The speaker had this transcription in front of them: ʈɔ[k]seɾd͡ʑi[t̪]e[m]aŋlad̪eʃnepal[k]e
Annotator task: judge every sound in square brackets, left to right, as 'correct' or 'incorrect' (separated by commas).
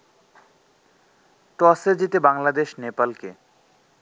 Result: incorrect, correct, incorrect, correct